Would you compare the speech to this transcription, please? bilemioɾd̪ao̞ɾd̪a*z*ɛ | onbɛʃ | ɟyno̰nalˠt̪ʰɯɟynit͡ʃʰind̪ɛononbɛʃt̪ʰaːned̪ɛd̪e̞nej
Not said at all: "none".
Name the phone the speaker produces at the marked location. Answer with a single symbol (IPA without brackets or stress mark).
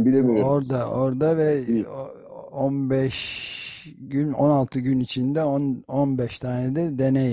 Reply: v